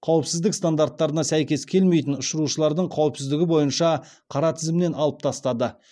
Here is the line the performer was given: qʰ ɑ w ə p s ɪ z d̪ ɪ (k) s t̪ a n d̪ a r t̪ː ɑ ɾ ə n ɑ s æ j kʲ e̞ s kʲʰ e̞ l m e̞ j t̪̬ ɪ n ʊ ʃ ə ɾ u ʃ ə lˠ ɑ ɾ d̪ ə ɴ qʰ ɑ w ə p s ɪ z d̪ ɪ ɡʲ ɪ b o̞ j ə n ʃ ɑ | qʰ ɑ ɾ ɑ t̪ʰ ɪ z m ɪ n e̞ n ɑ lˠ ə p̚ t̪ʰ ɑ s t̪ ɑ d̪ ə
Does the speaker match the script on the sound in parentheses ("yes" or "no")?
yes